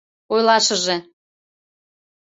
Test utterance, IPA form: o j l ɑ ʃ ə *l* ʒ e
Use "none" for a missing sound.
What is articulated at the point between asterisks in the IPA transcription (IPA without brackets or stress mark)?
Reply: none